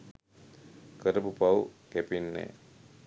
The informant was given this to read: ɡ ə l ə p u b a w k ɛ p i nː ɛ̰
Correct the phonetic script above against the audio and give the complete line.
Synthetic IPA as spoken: k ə ɾ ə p u p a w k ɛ p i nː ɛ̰